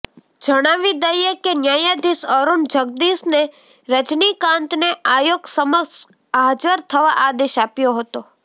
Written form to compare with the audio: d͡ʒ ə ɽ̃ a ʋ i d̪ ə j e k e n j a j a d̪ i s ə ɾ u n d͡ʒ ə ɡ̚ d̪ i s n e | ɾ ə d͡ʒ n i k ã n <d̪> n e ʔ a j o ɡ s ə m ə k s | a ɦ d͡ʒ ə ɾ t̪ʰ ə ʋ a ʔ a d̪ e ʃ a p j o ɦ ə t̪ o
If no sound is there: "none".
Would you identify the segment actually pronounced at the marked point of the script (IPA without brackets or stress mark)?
t̪